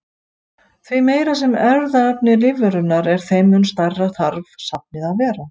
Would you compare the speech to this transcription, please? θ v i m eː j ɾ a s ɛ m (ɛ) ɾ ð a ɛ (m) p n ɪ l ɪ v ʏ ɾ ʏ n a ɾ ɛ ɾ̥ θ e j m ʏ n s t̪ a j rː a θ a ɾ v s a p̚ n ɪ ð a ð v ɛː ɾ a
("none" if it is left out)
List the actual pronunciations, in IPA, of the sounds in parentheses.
ɛ, none

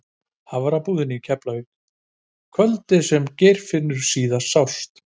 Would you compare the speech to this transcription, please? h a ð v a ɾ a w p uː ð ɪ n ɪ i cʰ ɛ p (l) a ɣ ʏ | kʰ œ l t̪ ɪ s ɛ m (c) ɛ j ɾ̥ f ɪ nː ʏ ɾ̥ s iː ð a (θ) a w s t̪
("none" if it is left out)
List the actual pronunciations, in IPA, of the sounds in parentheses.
l, c, s

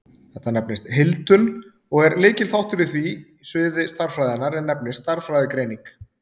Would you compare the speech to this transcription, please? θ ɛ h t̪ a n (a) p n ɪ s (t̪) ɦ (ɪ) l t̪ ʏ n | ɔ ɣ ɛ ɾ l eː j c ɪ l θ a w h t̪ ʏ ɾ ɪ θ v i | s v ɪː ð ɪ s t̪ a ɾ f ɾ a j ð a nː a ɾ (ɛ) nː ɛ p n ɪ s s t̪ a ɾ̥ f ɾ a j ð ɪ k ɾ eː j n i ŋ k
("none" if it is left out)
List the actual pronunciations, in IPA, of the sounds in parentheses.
ɛ, t̪, ɪ, ɛ

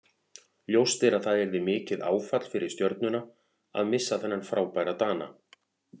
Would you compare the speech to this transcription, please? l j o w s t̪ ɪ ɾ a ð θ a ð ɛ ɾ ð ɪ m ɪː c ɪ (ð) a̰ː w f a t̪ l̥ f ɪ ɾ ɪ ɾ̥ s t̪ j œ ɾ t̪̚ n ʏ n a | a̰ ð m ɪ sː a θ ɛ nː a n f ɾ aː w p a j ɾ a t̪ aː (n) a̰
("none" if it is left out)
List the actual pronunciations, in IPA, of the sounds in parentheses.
ð, n

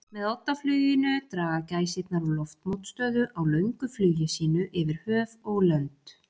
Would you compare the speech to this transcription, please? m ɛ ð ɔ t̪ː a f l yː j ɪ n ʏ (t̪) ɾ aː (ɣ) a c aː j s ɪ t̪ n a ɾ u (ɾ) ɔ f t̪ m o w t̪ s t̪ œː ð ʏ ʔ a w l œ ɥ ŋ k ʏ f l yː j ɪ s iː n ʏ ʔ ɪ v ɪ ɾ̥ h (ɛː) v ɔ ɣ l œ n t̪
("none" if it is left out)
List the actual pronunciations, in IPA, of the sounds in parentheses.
t̪, ɣ, l, œː

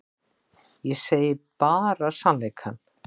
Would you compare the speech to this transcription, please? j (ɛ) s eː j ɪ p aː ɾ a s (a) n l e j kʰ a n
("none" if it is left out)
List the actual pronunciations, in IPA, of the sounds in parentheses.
ɛ, a

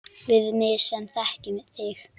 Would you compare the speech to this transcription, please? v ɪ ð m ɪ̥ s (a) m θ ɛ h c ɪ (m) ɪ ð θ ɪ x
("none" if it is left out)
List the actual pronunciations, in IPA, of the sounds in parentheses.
ɛ, m

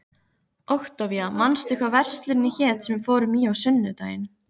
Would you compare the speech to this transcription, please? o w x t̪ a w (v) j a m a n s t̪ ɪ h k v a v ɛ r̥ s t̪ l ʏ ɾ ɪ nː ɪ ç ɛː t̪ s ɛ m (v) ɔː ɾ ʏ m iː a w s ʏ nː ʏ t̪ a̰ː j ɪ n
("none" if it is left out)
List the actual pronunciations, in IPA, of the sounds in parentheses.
v, f

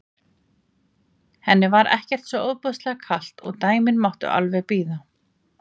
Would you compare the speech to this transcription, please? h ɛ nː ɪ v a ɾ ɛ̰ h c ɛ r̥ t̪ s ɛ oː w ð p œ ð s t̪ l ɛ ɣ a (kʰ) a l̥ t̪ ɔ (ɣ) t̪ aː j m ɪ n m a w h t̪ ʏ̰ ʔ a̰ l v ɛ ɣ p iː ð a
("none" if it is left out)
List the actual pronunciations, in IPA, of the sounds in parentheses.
kʰ, ɣ

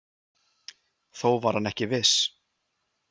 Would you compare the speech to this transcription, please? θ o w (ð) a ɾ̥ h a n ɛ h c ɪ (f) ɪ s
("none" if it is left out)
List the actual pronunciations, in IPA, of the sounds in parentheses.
v, v

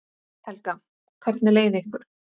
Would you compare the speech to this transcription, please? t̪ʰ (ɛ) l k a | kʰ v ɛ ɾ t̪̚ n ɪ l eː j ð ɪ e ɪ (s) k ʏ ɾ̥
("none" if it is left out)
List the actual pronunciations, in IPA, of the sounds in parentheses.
ɛ, h

